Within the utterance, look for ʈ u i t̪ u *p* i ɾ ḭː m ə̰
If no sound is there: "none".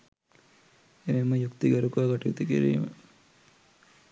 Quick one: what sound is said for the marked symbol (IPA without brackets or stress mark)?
k